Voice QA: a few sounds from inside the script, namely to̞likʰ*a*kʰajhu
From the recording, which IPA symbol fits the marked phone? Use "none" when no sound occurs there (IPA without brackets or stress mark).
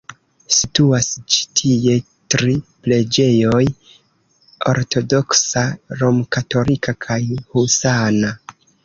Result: a